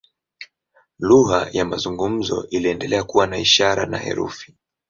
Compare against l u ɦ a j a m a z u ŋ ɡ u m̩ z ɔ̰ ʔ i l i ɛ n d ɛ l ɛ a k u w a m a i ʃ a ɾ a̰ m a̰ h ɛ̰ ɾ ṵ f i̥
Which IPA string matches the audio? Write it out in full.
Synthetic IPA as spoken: l u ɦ a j a m a z u ŋ ɡ u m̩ z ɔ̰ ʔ i l i ɛ n d ɛ l ɛ a k u w a n a i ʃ a ɾ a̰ n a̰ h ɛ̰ ɾ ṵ f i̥